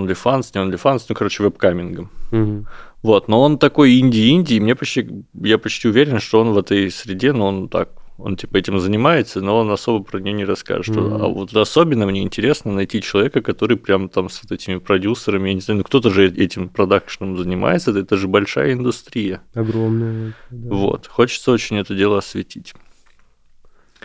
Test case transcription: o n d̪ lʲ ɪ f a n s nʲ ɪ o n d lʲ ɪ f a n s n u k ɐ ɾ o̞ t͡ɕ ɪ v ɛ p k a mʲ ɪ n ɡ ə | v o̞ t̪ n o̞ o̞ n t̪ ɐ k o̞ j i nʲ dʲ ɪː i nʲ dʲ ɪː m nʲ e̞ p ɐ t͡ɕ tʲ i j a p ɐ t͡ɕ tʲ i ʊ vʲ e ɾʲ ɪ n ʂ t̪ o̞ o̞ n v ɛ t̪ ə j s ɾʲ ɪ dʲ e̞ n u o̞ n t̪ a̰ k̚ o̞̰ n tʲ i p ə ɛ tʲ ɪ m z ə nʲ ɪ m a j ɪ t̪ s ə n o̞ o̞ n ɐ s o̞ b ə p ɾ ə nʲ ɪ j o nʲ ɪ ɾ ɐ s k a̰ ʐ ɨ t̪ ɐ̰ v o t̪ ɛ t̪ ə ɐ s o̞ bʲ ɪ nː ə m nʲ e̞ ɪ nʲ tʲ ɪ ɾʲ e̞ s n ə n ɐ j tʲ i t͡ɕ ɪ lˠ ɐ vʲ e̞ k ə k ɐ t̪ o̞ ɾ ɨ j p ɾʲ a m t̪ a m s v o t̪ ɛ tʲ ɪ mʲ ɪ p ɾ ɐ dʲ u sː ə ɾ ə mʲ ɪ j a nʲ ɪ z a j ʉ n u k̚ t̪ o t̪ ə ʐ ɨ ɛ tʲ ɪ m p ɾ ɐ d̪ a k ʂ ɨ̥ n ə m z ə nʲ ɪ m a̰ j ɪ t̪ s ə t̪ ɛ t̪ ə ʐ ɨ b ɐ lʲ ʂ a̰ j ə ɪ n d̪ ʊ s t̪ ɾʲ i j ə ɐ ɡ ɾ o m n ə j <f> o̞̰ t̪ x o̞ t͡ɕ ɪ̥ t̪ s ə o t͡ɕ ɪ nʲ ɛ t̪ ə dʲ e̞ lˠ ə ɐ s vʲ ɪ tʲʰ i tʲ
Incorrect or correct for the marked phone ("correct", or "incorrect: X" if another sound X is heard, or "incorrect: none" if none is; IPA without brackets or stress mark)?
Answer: incorrect: v